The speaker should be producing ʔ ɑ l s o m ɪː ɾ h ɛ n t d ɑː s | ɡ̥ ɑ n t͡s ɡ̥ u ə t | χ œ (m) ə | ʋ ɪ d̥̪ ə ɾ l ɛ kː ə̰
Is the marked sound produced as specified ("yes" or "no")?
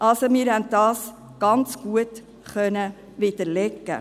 no